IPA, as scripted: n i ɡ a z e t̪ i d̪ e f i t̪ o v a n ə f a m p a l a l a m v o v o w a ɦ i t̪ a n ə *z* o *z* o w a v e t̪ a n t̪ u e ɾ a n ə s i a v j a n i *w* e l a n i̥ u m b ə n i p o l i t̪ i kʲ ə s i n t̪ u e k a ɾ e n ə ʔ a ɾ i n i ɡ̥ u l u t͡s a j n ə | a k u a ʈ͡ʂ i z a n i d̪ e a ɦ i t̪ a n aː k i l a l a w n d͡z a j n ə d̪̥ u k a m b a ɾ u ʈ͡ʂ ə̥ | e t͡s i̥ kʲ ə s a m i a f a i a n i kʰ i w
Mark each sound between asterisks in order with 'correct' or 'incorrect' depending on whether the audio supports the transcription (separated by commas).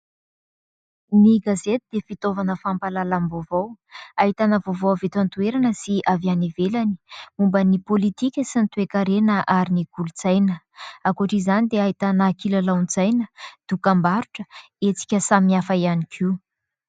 incorrect, incorrect, incorrect